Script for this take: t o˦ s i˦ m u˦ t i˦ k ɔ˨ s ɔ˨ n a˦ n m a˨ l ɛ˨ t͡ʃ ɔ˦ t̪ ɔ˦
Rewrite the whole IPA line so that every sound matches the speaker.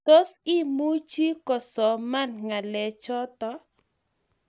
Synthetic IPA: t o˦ s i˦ m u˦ t͡ʃ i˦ k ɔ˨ s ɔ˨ m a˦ n ŋ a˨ l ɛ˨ t͡ʃ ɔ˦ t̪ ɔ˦